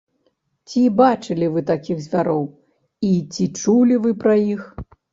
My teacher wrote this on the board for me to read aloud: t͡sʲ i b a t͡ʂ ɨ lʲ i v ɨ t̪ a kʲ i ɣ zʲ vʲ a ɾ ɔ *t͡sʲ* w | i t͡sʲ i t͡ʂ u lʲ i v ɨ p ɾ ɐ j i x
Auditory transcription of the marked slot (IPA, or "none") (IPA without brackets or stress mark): none